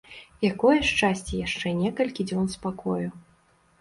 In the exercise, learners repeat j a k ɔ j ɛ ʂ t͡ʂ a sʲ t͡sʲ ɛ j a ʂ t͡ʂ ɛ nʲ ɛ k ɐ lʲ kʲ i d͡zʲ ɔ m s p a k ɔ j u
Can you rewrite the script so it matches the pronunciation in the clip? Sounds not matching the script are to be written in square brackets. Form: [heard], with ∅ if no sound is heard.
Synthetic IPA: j a k ɔ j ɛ ʂ t͡ʂ a sʲ t͡sʲ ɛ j a ʂ t͡ʂ ɛ nʲ ɛ k ɐ lʲ kʲ i d͡zʲ ɔ [n] s p a k ɔ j u

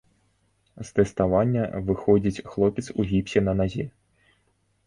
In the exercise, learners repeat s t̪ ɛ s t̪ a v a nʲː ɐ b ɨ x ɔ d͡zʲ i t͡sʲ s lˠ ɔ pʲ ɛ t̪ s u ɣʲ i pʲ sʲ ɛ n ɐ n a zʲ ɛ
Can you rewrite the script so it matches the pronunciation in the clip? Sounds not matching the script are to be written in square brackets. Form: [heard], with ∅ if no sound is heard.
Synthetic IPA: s t̪ ɛ s t̪ a v a nʲː ɐ [v] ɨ x ɔ d͡zʲ i t͡sʲ [x] lˠ ɔ pʲ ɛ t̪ s u ɣʲ i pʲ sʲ ɛ n ɐ n a zʲ ɛ

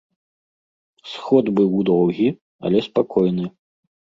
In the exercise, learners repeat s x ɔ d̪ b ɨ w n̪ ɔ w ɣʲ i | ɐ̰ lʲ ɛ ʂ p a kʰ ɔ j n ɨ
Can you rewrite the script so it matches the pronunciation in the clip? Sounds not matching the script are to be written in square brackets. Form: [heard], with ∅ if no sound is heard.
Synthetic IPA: s x ɔ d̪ b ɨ w [d̪] ɔ w ɣʲ i | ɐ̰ lʲ ɛ [s] p a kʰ ɔ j n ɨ

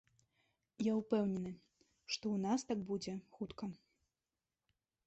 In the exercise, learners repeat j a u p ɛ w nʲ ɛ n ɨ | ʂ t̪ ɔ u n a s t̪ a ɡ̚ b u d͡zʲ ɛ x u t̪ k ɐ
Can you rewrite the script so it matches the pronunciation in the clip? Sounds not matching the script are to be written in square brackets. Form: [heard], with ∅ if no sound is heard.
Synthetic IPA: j a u p ɛ w nʲ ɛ n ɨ | ʂ t̪ ɔ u n a s t̪ a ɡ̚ b u d͡zʲ ɛ x u t̪ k ɐ

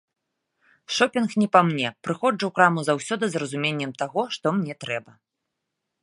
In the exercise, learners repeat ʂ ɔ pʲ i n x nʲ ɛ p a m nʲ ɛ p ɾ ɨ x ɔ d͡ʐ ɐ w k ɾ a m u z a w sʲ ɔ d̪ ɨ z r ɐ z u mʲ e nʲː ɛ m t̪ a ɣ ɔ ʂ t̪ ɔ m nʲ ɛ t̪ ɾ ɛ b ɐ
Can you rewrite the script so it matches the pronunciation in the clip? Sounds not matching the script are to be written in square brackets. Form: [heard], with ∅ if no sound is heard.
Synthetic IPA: ʂ ɔ pʲ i n x nʲ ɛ p a m nʲ ɛ p ɾ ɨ x ɔ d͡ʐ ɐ w k ɾ a m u z a w sʲ ɔ d̪ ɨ z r ɐ z u mʲ e nʲː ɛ m t̪ a ɣ ɔ ʂ t̪ ɔ m nʲ ɛ t̪ ɾ ɛ b ɐ

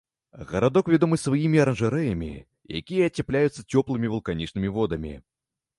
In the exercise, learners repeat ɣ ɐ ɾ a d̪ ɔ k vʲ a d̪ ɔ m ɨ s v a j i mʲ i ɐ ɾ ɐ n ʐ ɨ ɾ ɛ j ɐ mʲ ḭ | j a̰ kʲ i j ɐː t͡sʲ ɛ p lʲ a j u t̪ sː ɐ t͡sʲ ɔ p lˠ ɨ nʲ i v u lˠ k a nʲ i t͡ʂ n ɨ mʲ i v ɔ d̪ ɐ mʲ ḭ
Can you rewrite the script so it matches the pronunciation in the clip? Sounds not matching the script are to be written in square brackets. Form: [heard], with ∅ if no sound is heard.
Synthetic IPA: ɣ ɐ ɾ a d̪ ɔ k vʲ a d̪ ɔ m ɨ s v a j i mʲ i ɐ ɾ ɐ n ʐ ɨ ɾ ɛ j ɐ mʲ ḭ | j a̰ kʲ i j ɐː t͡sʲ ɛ p lʲ a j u t̪ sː ɐ t͡sʲ ɔ p lˠ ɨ [mʲ] i v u lˠ k a nʲ i t͡ʂ n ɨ mʲ i v ɔ d̪ ɐ mʲ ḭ

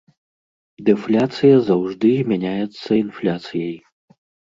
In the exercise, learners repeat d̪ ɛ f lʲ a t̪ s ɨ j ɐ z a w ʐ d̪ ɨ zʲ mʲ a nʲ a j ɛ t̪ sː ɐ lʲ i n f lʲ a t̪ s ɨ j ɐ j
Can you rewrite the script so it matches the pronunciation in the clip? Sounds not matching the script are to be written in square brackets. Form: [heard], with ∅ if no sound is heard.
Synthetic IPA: d̪ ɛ f lʲ a t̪ s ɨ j ɐ z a w ʐ d̪ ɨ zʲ mʲ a nʲ a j ɛ t̪ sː ɐ [∅] i n f lʲ a t̪ s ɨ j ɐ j

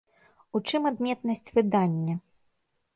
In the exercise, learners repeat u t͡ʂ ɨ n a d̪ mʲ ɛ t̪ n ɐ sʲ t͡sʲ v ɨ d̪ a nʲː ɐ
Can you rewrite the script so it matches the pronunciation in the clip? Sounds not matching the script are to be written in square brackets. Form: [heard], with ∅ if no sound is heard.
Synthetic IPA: u t͡ʂ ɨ [m] a d̪ mʲ ɛ t̪ n ɐ sʲ t͡sʲ v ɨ d̪ a nʲː ɐ

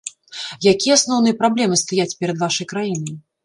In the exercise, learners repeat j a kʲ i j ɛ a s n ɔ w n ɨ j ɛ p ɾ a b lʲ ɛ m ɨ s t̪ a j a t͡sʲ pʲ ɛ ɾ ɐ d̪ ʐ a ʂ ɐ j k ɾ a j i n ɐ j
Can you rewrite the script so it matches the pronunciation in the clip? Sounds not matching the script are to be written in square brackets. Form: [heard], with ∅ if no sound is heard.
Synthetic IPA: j a kʲ i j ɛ a s n ɔ w n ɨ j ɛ p ɾ a b lʲ ɛ m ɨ s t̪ a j a t͡sʲ pʲ ɛ ɾ ɐ d̪ [v] a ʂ ɐ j k ɾ a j i n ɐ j

